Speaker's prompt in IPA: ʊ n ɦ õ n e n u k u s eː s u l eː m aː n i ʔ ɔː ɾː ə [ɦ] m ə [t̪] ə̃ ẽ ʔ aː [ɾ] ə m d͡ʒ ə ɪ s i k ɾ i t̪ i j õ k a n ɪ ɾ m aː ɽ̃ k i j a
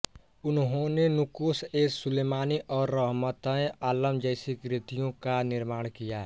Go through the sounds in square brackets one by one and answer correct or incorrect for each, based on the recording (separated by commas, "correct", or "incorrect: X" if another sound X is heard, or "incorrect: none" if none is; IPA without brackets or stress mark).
correct, correct, incorrect: l